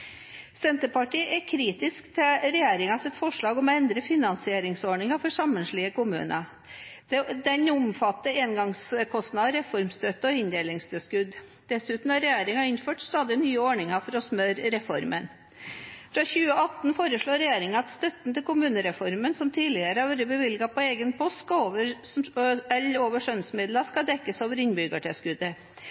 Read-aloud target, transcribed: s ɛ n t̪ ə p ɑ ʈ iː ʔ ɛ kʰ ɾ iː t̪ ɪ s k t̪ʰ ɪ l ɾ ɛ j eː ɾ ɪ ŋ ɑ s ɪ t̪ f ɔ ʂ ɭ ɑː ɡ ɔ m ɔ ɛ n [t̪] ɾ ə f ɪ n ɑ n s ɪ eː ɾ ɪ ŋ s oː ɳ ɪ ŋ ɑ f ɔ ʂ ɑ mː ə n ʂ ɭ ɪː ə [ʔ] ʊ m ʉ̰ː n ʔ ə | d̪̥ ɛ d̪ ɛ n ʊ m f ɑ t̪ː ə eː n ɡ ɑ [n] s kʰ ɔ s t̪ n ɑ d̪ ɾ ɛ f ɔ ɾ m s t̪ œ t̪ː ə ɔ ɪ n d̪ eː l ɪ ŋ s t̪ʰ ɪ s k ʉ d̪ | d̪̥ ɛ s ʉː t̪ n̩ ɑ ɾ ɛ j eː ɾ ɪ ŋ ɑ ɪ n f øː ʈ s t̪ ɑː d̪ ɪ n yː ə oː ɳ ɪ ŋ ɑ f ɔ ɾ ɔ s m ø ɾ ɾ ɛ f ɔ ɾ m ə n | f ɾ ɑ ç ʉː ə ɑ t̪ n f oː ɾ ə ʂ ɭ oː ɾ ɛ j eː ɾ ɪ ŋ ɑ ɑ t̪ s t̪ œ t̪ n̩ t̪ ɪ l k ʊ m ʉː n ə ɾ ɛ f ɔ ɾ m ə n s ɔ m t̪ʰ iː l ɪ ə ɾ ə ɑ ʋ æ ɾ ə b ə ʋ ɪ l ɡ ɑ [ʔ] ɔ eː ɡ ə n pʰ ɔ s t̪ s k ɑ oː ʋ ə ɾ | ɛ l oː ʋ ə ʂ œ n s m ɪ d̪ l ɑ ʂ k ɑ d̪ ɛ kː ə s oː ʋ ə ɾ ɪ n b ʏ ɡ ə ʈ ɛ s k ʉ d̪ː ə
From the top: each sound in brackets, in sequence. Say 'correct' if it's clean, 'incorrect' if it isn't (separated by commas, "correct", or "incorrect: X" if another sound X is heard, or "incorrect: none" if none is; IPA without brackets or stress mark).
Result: incorrect: d̪, incorrect: k, incorrect: ŋ, incorrect: p